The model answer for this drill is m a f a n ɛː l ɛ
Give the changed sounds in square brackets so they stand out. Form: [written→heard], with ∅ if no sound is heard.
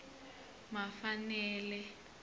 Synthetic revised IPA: m a f a n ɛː l ɛ